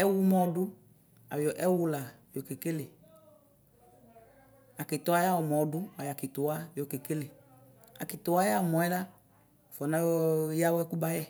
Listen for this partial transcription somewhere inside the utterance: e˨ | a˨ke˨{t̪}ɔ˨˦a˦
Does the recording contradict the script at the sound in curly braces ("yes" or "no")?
no